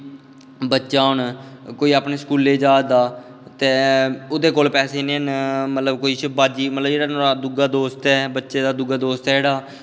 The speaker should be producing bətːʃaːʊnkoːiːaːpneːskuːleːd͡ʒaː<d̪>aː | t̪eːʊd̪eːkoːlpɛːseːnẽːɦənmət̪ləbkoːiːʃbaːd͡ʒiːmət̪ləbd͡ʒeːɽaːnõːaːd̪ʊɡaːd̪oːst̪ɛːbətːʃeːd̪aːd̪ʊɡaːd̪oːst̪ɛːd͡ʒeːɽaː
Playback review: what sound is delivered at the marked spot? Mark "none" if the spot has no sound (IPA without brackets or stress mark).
d̪